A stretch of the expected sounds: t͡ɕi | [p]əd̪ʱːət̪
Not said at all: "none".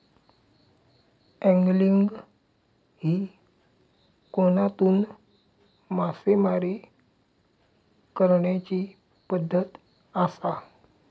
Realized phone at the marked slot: p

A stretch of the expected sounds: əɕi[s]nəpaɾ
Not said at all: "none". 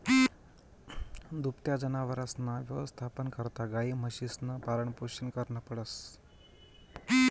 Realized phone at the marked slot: s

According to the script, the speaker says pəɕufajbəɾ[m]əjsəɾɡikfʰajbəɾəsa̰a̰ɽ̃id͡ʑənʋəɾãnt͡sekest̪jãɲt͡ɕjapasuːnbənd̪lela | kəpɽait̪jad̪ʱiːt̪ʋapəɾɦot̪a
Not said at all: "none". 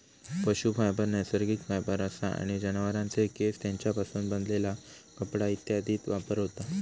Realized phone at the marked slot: n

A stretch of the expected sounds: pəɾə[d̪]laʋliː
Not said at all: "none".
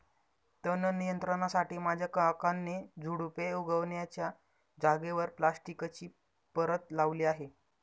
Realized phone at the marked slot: t̪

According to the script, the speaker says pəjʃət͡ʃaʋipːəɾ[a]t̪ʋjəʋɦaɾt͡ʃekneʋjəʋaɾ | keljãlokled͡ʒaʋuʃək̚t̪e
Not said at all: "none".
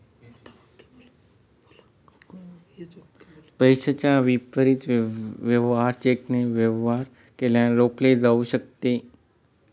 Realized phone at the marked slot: i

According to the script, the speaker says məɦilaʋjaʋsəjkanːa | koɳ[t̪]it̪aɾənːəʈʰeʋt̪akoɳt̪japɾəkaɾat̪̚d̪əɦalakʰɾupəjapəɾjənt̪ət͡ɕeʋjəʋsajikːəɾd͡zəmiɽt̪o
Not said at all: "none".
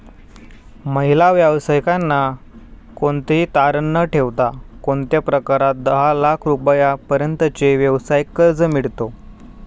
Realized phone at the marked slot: t̪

